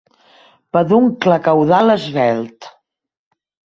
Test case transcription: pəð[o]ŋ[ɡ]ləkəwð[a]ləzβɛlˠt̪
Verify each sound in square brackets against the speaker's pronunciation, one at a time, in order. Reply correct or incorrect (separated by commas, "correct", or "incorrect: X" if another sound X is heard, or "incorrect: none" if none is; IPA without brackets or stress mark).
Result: incorrect: u, incorrect: k, correct